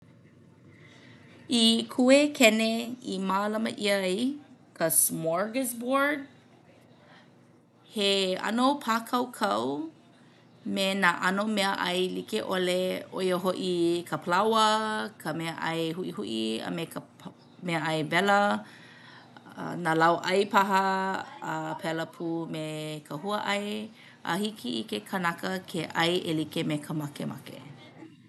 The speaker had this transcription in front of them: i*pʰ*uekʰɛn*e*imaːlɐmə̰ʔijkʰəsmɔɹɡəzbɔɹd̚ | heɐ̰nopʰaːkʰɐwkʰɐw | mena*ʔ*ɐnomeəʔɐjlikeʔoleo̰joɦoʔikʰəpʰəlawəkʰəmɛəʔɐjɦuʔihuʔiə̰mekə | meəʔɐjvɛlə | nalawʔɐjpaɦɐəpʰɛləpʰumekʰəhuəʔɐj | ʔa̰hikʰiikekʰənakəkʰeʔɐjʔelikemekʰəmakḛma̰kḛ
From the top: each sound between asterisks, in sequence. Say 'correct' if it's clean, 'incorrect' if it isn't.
incorrect, correct, correct

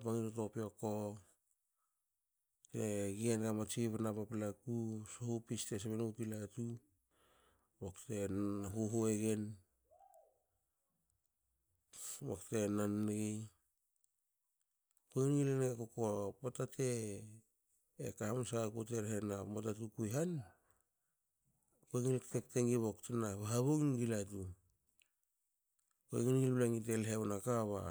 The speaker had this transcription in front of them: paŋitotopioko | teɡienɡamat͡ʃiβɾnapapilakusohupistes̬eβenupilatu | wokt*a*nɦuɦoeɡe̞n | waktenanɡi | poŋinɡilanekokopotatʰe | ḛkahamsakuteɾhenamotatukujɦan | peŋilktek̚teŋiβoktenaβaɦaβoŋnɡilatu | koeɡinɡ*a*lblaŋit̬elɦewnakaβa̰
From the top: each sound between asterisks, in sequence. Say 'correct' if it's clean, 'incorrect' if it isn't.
incorrect, incorrect

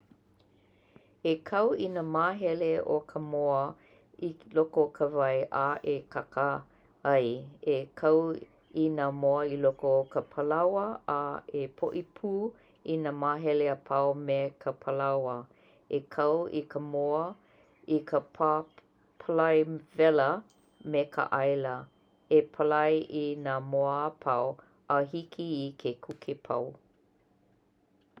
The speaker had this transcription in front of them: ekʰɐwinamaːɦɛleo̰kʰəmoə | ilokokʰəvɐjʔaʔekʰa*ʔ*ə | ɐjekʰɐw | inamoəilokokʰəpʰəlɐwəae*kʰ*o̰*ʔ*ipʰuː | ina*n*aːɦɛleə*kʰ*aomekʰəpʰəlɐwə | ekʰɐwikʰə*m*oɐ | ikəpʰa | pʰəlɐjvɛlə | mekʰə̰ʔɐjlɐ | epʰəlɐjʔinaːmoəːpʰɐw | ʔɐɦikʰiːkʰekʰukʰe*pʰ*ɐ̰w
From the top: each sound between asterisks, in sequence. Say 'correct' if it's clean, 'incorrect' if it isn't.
incorrect, incorrect, correct, incorrect, incorrect, correct, correct

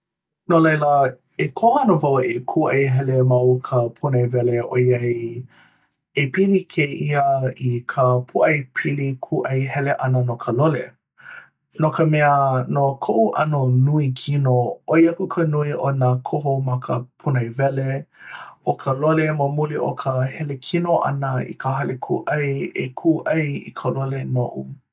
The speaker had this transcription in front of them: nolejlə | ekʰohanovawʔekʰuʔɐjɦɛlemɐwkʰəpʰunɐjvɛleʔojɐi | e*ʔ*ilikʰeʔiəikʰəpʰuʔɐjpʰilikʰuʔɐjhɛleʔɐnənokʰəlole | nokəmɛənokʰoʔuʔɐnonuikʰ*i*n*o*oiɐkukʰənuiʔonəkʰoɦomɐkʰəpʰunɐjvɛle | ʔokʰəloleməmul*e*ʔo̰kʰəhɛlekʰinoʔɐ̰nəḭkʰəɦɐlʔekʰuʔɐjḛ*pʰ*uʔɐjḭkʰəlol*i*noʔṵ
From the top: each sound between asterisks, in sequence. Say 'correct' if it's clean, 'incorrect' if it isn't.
incorrect, correct, correct, incorrect, incorrect, incorrect

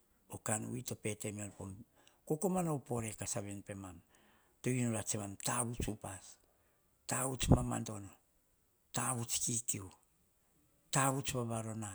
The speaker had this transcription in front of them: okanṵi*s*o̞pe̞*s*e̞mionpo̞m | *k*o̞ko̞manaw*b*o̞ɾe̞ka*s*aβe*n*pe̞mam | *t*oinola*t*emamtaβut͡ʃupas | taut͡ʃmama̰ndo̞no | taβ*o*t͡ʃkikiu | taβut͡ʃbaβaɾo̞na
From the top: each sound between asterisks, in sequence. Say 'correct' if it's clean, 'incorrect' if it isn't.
incorrect, incorrect, correct, incorrect, correct, correct, correct, incorrect, incorrect

